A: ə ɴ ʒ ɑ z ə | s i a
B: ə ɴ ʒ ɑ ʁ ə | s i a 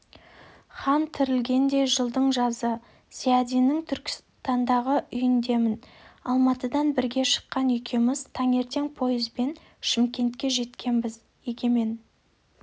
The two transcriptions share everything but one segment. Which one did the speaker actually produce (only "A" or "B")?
A